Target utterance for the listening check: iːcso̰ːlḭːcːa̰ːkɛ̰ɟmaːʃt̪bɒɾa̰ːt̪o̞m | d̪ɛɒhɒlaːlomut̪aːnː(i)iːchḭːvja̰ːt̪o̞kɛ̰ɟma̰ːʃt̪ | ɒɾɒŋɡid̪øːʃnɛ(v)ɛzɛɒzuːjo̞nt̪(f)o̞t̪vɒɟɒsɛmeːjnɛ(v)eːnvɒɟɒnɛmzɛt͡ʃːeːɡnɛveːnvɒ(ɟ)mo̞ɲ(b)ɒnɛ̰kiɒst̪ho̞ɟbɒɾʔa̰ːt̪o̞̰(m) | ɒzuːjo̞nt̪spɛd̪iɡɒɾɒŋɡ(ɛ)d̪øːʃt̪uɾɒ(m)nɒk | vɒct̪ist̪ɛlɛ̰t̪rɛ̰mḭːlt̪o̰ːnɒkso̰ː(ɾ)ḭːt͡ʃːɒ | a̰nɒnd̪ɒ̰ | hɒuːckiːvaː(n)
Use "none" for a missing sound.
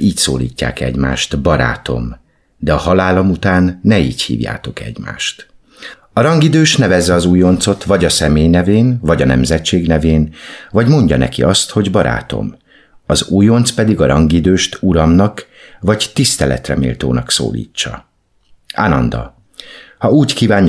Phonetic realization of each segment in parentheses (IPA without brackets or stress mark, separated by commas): ɛ, v, s, v, ɟ, ɟ, m, i, m, l, ɲ